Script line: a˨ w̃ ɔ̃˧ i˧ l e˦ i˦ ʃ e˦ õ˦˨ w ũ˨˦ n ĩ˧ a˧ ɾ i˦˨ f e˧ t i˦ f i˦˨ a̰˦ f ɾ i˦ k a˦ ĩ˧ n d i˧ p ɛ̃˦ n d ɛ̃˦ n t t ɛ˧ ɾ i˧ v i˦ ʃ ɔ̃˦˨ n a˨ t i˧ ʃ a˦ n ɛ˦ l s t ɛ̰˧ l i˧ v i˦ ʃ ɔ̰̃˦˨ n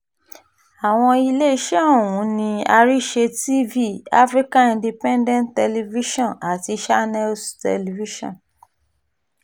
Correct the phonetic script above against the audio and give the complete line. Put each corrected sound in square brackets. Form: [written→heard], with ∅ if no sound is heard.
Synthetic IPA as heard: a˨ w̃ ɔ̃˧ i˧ l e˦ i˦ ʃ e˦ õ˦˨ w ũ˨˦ n ĩ˧ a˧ ɾ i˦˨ [f→ʃ] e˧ t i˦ [f→v] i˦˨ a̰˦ f ɾ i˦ k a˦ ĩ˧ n d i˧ p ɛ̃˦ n d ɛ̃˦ n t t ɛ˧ [ɾ→l] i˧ v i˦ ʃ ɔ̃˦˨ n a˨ t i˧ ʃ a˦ n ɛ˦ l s t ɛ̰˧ l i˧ v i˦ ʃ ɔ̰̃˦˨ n